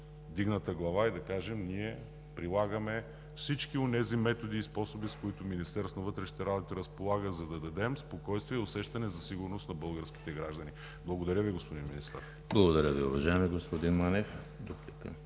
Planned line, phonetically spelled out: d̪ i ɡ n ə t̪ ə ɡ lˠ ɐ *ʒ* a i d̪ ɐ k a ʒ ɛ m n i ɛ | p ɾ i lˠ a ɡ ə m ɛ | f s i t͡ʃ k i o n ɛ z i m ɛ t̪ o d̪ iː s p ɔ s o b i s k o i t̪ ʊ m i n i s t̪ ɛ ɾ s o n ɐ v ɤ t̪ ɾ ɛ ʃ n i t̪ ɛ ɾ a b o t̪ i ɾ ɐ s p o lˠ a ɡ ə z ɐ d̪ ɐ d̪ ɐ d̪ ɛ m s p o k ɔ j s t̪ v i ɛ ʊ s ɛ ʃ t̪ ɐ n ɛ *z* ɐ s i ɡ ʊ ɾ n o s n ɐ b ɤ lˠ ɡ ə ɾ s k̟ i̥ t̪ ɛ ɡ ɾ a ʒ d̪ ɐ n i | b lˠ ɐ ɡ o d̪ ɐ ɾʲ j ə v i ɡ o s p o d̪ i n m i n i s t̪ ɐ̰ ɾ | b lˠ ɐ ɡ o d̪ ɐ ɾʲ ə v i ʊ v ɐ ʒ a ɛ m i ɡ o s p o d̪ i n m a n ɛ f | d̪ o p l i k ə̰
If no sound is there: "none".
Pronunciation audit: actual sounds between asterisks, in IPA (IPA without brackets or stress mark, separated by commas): v, z